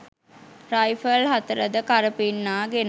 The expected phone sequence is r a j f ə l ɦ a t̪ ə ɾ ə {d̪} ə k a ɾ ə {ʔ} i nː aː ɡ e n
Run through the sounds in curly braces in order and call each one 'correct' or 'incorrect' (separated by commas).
correct, incorrect